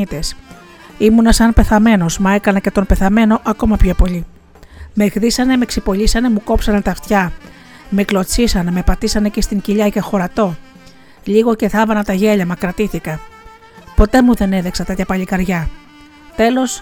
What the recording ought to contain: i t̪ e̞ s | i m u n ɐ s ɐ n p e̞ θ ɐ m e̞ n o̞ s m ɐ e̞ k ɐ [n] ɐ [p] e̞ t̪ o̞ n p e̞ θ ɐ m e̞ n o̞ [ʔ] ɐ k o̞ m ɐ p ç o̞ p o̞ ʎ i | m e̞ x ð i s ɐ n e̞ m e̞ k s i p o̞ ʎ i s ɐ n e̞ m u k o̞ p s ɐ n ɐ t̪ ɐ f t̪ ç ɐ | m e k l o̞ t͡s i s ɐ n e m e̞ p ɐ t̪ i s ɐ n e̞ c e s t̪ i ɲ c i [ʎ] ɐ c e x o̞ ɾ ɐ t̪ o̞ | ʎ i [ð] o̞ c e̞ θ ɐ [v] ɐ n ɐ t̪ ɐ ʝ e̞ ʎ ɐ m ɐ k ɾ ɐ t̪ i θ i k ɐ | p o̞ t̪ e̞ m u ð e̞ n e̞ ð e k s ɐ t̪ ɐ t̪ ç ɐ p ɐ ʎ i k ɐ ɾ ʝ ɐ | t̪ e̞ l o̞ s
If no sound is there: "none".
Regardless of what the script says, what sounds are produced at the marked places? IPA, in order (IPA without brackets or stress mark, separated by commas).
n, c, ʔ, ʎ, ɣ, v